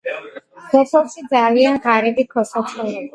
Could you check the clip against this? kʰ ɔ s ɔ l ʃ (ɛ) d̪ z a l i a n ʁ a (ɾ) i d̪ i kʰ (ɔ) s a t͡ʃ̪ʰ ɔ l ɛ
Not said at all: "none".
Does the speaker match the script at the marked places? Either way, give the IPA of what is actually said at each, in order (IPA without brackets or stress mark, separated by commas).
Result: i, ɾ, ɔ